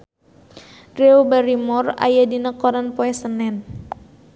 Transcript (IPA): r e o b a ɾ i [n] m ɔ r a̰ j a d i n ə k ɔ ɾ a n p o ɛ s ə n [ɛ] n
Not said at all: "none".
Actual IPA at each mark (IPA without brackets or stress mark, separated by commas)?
none, ɛ